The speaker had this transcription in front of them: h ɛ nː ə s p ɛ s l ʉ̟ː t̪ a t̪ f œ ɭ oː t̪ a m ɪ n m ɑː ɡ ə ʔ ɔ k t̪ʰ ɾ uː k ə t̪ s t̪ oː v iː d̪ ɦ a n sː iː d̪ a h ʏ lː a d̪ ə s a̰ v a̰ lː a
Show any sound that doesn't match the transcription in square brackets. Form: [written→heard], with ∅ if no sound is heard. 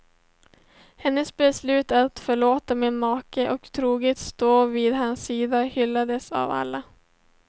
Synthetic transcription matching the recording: h ɛ nː ə s [p→b] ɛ s l ʉ̟ː t̪ a t̪ f œ ɭ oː t̪ a m ɪ n m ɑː [ɡ→k] ə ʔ ɔ k t̪ʰ ɾ uː [k→ɡ] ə t̪ s t̪ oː v iː d̪ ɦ a n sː iː d̪ a h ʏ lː a d̪ ə s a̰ v a̰ lː a